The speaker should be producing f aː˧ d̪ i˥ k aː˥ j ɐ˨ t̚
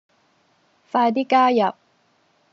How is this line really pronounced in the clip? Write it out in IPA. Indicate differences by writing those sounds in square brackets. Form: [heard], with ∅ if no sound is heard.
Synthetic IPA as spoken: f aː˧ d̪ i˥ k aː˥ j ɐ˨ [p̚]